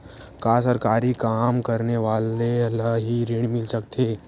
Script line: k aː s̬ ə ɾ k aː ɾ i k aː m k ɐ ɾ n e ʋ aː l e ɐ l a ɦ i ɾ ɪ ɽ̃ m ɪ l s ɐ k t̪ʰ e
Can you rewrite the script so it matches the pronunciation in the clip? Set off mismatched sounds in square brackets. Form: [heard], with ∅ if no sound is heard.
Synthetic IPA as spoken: k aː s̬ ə ɾ k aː ɾ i k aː m k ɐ ɾ n e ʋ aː l e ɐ l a ɦ i ɾ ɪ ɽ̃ m ɪ l s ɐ k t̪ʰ e